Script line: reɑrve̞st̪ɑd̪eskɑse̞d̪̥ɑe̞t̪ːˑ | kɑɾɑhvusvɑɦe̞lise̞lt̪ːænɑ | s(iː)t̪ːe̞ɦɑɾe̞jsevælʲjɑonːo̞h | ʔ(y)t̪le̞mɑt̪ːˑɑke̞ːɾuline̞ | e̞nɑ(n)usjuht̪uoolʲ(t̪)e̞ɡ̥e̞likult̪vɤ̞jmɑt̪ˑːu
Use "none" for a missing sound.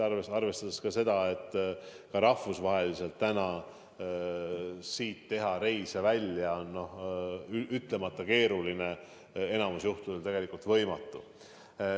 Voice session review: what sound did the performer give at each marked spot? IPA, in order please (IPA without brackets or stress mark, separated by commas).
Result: iː, y, m, t̪